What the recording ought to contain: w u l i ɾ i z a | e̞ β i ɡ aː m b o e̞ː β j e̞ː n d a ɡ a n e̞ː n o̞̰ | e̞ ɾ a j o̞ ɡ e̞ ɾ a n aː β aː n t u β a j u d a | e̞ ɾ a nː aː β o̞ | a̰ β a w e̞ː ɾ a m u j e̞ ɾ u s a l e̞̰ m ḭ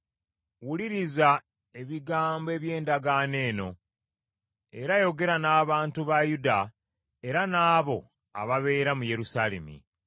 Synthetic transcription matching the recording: w u l i ɾ i z a | e̞ β i ɡ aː m b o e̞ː β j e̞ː n d a ɡ a n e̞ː n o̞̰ | e̞ ɾ a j o̞ ɡ e̞ ɾ a n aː β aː n t u β a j u d a | e̞ ɾ a n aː β o̞ | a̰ β a β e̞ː ɾ a m u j e̞ ɾ u s a l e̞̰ m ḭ